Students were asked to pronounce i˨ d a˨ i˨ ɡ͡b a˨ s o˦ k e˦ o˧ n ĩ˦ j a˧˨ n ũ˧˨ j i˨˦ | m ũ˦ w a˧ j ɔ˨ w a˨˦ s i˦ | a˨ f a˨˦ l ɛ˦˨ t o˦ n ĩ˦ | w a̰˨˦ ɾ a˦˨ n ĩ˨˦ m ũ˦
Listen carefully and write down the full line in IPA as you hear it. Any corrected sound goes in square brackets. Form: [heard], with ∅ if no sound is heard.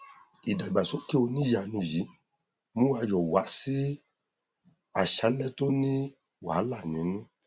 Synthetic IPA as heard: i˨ d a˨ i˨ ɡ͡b a˨ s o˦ k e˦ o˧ n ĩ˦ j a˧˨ n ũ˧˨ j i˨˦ | m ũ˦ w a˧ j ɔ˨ w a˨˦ s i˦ | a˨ [ʃ] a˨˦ l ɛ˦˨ t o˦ n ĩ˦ | w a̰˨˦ [l] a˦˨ n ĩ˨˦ [n] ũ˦